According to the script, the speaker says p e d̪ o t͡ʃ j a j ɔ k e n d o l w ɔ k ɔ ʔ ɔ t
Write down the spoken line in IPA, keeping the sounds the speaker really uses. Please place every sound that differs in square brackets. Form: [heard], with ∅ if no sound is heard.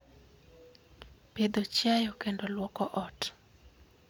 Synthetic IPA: p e d̪ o t͡ʃ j a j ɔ k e n d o l w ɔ k ɔ ʔ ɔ t